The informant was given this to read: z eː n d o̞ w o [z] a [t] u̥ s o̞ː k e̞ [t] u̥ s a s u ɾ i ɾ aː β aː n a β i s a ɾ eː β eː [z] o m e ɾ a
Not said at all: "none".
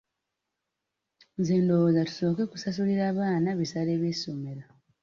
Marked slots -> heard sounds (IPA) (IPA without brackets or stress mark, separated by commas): z, t, k, s